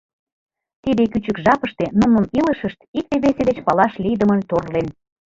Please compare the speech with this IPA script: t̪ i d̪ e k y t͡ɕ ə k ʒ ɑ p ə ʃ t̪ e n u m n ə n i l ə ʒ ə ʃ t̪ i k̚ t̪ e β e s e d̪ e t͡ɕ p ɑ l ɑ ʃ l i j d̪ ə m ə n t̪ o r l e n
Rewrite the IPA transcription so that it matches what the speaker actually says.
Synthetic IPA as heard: t̪ i d̪ e k y t͡ɕ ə k ʒ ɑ p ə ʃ t̪ e n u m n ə n i l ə ʃ ə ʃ t̪ i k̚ t̪ e β e s e d̪ e t͡ɕ p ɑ l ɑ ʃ l i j d̪ ə m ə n t̪ o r l e n